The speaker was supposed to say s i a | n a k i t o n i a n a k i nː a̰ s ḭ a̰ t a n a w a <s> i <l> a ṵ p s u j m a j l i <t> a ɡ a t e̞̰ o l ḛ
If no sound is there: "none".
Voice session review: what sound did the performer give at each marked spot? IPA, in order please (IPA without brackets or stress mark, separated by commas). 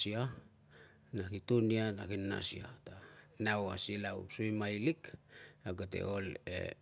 s, l, k